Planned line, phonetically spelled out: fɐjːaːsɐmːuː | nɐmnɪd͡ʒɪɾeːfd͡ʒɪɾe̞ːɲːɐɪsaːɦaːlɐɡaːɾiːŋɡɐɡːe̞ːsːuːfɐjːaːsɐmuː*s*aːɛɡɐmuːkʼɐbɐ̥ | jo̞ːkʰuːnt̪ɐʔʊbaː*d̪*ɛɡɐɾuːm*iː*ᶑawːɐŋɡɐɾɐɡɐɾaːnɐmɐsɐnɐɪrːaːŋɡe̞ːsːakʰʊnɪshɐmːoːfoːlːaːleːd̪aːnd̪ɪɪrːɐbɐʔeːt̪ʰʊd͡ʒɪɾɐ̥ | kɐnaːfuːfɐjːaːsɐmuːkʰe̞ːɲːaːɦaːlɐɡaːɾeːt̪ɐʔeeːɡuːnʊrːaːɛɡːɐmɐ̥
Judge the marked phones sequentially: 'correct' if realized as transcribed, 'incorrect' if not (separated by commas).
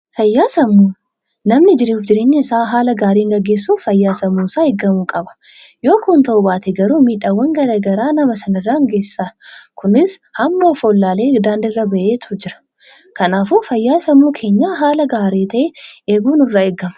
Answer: correct, incorrect, correct